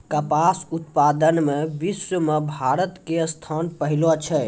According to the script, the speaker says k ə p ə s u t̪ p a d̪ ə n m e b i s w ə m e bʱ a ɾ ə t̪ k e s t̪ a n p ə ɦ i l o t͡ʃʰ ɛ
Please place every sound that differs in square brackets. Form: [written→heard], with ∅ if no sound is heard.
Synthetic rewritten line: k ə p [ə→a] s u t̪ p a d̪ ə n m e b i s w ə m e bʱ a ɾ ə t̪ k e s [t̪→t̪ʰ] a n p ə ɦ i l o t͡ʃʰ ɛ